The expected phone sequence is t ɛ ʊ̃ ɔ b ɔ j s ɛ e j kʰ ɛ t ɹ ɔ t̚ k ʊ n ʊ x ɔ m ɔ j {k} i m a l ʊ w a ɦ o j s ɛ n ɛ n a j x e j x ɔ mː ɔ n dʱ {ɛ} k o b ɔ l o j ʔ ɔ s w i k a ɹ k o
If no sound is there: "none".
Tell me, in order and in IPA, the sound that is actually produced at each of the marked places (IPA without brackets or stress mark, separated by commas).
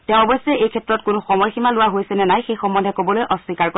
x, ɛ